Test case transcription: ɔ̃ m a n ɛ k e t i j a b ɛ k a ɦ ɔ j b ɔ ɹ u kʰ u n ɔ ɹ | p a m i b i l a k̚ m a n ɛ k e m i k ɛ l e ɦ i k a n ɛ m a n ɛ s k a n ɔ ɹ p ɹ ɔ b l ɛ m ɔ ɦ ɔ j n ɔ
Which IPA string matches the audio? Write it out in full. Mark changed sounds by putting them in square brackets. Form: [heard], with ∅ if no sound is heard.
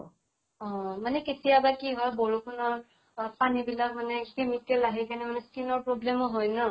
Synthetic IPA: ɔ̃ m a n ɛ k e t i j a b [a] k [i] ɦ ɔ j b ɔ ɹ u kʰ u n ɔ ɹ | p a [n] i b i l a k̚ m a n ɛ k e m i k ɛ l [a] ɦ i k a n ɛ m a n ɛ s k [i] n ɔ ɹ p ɹ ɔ b l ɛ m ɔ ɦ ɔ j n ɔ